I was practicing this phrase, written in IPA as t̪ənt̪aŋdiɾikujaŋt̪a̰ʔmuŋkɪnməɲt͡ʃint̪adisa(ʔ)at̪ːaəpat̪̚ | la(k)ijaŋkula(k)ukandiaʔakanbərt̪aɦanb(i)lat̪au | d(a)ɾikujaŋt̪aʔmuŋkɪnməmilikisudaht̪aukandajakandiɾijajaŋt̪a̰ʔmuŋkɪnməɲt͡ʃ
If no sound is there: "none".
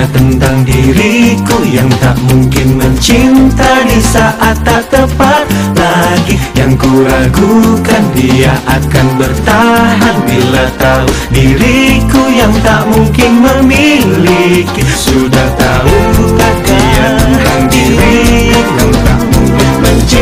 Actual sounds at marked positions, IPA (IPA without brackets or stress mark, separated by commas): ʔ, ɡ, ɡ, i, i